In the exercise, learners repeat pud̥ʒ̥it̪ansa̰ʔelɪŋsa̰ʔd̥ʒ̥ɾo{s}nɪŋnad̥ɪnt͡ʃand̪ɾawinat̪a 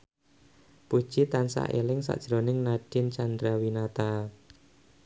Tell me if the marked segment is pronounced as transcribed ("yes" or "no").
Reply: no